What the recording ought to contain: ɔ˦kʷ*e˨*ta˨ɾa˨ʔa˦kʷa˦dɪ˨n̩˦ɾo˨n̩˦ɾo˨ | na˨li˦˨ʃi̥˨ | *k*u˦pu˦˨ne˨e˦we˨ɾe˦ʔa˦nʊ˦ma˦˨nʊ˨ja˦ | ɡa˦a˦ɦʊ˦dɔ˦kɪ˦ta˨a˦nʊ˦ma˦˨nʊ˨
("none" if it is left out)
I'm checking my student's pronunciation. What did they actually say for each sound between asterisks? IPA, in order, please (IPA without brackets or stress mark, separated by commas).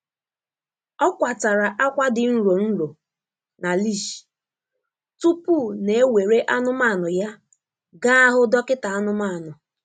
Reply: a˨, t